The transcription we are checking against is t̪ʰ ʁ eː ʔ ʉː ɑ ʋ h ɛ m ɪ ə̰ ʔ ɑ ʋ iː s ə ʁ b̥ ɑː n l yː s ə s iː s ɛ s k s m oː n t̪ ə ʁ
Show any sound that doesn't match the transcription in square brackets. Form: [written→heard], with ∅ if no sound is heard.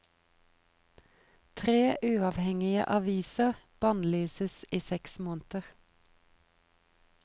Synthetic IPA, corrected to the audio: t̪ʰ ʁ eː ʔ ʉː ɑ ʋ h ɛ [m→ŋ] ɪ ə̰ ʔ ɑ ʋ iː s ə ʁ b̥ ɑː n l yː s ə s iː s ɛ [s→∅] k s m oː n t̪ ə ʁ